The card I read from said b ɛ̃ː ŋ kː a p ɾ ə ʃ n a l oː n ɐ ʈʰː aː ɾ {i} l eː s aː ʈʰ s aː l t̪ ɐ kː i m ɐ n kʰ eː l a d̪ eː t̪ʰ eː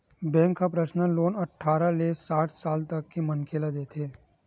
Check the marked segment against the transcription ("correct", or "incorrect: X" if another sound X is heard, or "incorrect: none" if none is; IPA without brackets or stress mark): incorrect: a